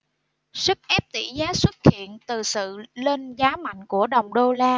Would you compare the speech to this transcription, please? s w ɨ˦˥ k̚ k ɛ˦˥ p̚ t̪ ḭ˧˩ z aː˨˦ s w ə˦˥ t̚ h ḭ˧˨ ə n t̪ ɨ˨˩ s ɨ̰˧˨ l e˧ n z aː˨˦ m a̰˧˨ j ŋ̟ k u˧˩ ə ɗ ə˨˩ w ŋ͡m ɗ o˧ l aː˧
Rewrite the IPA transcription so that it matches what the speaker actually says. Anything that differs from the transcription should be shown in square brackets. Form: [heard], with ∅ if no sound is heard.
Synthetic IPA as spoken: s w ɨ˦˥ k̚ [ʔ] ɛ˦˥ p̚ t̪ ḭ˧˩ z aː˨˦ s w ə˦˥ t̚ h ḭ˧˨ ə n t̪ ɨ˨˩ s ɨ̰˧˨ l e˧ n z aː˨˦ m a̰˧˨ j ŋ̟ k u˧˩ ə ɗ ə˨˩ w ŋ͡m ɗ o˧ l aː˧